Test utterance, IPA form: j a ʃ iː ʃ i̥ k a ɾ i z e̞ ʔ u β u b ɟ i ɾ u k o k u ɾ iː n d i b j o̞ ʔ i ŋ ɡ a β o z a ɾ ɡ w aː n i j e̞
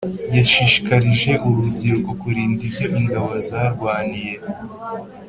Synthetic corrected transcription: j a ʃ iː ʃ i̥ k a ɾ i ʒ e̞ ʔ u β u b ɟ i ɾ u k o k u ɾ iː n d i b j o̞ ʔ i ŋ ɡ a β o z a ɾ ɡ w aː n i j e̞